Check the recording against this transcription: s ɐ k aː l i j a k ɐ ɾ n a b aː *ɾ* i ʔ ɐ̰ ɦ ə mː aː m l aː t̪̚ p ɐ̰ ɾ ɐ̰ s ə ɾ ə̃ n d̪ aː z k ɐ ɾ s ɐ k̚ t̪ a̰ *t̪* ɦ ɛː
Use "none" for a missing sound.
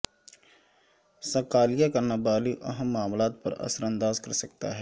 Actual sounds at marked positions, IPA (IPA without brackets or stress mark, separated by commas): l, none